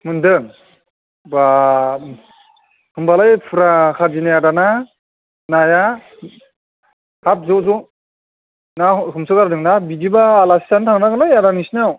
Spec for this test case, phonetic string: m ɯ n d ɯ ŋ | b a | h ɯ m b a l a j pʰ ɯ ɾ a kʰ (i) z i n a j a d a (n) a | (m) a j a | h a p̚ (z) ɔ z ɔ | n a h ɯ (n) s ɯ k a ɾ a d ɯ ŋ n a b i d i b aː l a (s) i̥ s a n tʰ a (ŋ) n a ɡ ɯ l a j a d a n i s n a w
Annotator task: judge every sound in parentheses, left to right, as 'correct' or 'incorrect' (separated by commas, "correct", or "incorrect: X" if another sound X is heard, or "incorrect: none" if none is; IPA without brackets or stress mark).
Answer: incorrect: a, correct, incorrect: n, correct, incorrect: m, correct, correct